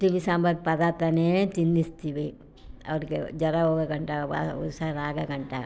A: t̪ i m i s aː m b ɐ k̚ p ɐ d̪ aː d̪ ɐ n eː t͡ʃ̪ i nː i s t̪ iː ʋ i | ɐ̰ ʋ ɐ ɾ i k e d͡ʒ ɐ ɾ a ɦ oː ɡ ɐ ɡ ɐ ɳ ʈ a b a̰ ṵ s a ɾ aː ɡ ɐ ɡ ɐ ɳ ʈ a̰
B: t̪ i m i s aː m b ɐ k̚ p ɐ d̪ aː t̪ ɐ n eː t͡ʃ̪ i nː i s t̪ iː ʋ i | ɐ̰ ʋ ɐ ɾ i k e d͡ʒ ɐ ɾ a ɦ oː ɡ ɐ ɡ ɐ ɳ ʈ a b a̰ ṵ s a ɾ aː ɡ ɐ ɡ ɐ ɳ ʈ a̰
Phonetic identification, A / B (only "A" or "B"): B